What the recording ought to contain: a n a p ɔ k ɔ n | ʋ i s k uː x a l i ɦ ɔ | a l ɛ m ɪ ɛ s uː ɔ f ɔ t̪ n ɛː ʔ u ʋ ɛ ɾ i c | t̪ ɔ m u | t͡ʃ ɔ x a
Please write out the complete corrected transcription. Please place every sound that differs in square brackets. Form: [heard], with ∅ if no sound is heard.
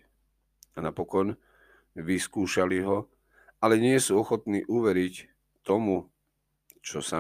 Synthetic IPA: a n a p ɔ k ɔ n | ʋ i s k uː [ʃ] a l i ɦ ɔ | a l ɛ [ɲ] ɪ ɛ s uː ɔ [x] ɔ t̪ n [iː] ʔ u ʋ ɛ ɾ i c | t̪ ɔ m u | t͡ʃ ɔ [s] a